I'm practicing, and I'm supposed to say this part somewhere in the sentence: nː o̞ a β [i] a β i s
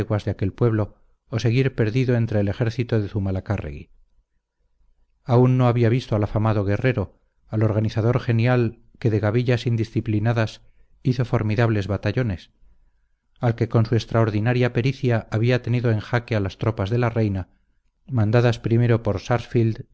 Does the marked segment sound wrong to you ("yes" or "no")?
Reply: no